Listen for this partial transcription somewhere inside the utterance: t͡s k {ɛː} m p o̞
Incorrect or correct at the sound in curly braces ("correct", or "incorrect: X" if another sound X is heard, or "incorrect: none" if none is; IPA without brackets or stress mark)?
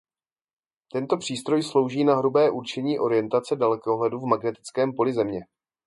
correct